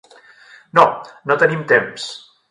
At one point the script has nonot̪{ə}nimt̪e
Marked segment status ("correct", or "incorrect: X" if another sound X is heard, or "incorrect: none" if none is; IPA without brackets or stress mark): correct